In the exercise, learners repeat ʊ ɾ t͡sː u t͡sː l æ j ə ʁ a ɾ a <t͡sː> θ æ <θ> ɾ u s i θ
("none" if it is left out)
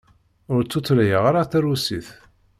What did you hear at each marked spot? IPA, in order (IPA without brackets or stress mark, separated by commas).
none, none